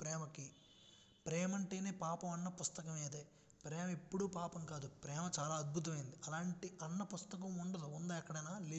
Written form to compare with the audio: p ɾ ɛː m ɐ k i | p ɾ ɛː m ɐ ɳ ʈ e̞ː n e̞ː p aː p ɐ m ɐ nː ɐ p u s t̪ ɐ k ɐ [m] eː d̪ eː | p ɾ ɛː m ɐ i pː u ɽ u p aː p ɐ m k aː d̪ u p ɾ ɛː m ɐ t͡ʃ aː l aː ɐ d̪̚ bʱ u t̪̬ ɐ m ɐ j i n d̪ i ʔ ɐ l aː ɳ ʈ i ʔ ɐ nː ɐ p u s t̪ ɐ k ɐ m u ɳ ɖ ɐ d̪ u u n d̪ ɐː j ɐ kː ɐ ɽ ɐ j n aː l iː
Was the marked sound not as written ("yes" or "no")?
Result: no